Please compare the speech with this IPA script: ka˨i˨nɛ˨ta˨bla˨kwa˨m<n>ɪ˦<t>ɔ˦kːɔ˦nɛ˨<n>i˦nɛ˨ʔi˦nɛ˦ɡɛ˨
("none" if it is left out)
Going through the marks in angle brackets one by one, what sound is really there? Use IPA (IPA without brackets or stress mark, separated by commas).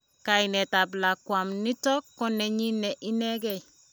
n, t, ɲ